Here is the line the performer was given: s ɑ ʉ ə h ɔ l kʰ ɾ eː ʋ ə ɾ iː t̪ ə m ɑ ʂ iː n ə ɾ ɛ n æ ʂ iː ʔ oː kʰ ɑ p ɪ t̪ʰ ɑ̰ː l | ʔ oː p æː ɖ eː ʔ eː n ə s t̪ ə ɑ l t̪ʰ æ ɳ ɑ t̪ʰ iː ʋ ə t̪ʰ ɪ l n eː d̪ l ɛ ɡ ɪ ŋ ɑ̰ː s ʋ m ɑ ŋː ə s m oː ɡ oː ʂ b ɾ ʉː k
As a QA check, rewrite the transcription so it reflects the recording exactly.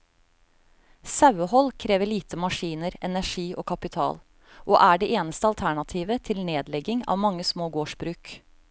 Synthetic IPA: s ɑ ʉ ə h ɔ l kʰ ɾ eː ʋ ə ɭ iː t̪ ə m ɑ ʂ iː n ə ɾ ɛ n æ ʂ iː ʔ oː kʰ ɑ p ɪ t̪ʰ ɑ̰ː l | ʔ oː ʔ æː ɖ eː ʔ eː n ə s t̪ ə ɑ l t̪ʰ æ ɳ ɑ t̪ʰ iː ʋ ə t̪ʰ ɪ l n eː d̪ l ɛ ɡ ɪ ŋ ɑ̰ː ʋ m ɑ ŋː ə s m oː ɡ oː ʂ b ɾ ʉː k